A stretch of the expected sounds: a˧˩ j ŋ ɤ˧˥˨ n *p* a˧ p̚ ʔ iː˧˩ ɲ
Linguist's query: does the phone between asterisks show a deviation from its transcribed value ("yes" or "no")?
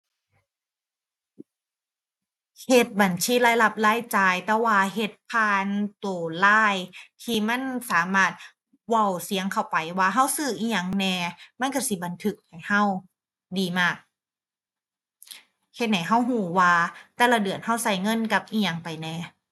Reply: yes